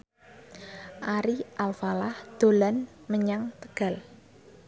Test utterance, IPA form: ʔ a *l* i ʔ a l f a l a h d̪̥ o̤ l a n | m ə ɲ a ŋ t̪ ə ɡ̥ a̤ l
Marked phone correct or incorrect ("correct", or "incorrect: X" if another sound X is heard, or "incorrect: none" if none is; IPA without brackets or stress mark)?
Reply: incorrect: ɾ